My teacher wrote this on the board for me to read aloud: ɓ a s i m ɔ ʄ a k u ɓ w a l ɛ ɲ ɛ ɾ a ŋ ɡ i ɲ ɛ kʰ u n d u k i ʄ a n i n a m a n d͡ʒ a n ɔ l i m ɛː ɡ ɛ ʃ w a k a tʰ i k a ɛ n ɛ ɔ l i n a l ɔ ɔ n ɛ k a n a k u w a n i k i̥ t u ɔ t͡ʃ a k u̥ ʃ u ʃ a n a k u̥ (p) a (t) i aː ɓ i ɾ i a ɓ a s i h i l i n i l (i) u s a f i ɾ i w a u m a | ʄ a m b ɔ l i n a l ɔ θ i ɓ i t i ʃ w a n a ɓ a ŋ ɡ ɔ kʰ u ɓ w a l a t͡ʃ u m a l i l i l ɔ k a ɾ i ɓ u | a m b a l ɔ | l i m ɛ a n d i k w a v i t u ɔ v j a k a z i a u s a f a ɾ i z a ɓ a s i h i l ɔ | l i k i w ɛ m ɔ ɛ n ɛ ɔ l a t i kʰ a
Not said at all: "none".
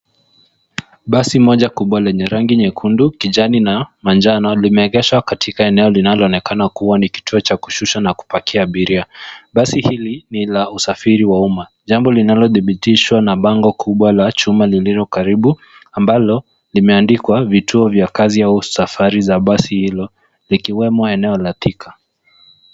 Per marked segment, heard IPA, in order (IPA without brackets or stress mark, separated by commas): p, k, a